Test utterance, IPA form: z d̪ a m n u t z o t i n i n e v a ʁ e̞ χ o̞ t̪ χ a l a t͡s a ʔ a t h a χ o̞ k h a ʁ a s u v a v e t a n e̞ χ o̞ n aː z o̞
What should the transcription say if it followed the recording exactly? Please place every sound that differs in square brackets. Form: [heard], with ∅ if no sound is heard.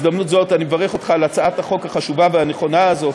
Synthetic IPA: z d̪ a m n u t z o t [a] n i [m] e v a ʁ e̞ χ o̞ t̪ χ a l a t͡s a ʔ a t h a χ o̞ k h a [χ] a [ʃ] u v a v e [∅] a n e̞ χ o̞ n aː z o̞